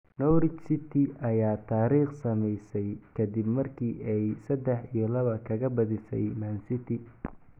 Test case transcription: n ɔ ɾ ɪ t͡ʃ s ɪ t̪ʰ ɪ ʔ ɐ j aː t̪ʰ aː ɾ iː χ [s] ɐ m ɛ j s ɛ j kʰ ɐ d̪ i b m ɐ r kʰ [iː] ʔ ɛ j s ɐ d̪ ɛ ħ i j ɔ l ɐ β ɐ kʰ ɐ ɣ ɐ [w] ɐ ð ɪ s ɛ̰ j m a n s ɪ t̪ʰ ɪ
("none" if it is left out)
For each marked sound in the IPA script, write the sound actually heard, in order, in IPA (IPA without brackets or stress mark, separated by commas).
s, iː, b